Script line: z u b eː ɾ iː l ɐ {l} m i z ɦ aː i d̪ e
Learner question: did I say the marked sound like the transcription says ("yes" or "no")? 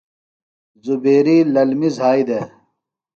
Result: yes